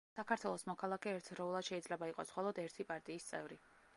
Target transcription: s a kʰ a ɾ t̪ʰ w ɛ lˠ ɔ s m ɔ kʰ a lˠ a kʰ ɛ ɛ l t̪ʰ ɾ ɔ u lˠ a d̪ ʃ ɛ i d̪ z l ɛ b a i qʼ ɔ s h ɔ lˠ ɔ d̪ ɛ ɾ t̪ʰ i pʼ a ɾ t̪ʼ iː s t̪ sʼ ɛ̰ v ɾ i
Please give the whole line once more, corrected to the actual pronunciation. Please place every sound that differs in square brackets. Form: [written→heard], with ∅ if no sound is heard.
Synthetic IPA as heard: s a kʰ a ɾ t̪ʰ w ɛ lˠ ɔ s m ɔ kʰ a lˠ a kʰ ɛ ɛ [l→ɾ] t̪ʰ ɾ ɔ u lˠ a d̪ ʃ ɛ i d̪ z l ɛ b a i qʼ ɔ s [h→χ] ɔ lˠ ɔ d̪ ɛ ɾ t̪ʰ i pʼ a ɾ t̪ʼ iː s t̪ sʼ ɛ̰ v ɾ i